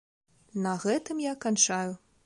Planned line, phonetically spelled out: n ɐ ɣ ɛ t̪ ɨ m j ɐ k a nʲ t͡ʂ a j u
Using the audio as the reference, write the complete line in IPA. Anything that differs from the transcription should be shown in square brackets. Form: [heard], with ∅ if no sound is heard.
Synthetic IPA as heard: n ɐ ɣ ɛ t̪ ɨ m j [a] k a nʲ t͡ʂ a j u